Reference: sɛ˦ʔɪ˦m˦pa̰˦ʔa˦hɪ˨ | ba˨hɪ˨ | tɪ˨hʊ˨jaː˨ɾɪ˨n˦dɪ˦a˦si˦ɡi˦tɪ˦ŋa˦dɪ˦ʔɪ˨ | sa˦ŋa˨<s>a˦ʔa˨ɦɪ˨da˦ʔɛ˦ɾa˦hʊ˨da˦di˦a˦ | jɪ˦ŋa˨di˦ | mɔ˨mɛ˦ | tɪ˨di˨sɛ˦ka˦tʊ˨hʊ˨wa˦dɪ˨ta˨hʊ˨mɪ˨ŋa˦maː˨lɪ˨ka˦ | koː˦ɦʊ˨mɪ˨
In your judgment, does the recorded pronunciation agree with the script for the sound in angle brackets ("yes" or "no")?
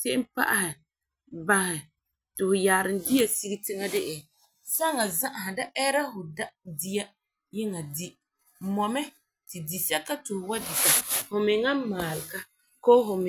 no